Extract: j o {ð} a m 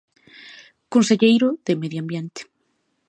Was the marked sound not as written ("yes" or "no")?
yes